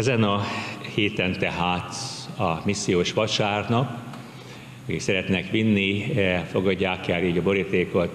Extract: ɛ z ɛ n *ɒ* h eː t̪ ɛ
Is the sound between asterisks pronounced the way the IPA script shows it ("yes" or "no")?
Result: yes